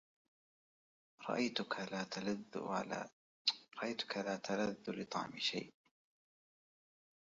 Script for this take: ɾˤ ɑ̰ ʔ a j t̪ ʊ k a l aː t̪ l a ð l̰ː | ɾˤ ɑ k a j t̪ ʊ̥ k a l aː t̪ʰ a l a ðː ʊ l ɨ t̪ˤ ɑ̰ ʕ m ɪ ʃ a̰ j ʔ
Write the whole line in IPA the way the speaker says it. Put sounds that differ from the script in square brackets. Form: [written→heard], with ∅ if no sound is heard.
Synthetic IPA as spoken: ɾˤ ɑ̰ ʔ a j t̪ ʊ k a l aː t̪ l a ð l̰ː | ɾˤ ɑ [k→ʔ] a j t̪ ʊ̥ k a l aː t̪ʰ a l a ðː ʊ l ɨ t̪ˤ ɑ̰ ʕ m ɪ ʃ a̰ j ʔ